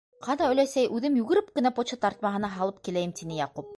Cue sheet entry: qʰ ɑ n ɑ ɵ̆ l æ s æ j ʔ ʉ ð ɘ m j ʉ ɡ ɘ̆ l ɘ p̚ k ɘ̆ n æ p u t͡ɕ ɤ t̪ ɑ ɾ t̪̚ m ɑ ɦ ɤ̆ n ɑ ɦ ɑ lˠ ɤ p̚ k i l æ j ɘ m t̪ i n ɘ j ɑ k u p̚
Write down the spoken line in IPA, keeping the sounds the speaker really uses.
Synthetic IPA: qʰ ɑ n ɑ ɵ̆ l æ s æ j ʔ ʉ ð ɘ m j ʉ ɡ ɘ̆ ɾ ɘ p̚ k ɘ̆ n æ p o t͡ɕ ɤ t̪ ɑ ɾ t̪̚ m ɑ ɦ ɤ̆ n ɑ ɦ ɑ lˠ ɤ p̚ k i l æ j ɘ m t̪ i n ɘ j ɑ q u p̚